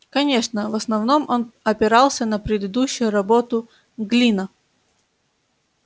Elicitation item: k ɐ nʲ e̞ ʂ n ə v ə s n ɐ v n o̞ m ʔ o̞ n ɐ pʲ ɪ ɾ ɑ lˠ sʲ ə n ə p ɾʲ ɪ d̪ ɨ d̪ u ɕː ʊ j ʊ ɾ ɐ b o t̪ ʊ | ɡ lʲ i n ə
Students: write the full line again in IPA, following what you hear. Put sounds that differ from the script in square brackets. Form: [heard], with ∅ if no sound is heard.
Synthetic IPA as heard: k ɐ nʲ e̞ ʂ n ə v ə s n ɐ v n o̞ m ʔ o̞ n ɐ pʲ ɪ ɾ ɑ lˠ sʲ ə n ə p ɾʲ ɪ d̪ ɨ d̪ u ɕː ʊ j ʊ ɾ ɐ b o t̪ ʊ | ɡ lʲ i n ə